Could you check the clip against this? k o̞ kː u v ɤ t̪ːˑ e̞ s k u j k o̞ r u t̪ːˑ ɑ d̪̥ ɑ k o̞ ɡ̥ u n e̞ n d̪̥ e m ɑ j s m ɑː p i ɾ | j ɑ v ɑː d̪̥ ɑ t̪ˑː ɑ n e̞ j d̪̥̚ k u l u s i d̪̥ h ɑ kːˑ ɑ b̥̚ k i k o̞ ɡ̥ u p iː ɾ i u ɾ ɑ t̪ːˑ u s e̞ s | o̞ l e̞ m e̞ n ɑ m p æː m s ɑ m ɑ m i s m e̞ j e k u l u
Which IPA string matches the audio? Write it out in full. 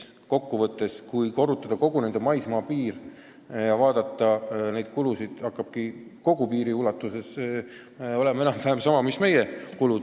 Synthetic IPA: k o̞ kː u v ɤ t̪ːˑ e̞ s k u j k o̞ r u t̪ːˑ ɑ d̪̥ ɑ k o̞ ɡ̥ u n e̞ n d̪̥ e m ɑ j s m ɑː p iː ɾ | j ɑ v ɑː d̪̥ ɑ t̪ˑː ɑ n e̞ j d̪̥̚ k u l u s i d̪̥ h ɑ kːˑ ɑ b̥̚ k i k o̞ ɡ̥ u p iː ɾ i u l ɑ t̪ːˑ u s e̞ s | o̞ l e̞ m e̞ n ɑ m p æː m s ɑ m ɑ m i s m e̞ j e k u l u